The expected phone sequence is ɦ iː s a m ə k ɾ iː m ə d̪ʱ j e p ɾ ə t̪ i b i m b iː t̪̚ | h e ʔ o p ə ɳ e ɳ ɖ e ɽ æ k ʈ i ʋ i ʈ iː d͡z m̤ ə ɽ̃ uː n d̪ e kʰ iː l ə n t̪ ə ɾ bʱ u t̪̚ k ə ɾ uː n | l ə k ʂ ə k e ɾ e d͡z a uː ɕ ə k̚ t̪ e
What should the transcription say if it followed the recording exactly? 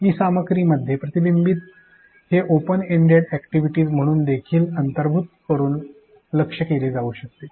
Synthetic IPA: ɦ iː s a m ə k ɾ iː m ə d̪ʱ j e p ɾ ə t̪ i b i m b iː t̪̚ | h e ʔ o p ə n e ɳ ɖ e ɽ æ k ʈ i ʋ i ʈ iː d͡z m̤ ə ɽ̃ uː n d̪ e kʰ iː l ə n t̪ ə ɾ bʱ u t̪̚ k ə ɾ uː n | l ə k ʂ ə k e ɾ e d͡z a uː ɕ ə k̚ t̪ e